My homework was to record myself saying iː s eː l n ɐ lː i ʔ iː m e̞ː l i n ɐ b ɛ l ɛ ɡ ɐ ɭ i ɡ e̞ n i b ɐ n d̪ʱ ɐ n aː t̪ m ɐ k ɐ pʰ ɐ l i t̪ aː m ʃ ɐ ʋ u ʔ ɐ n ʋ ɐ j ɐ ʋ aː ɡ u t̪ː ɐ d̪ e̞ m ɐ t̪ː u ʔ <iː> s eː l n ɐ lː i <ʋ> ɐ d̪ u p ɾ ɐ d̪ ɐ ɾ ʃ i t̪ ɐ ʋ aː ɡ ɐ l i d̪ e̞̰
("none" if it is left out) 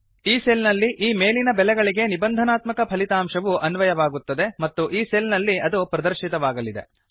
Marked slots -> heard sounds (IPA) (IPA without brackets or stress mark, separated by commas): iː, none